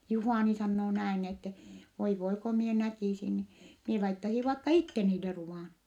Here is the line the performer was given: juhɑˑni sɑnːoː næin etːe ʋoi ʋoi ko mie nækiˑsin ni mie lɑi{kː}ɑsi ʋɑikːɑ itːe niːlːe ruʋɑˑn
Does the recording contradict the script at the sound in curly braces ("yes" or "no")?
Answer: yes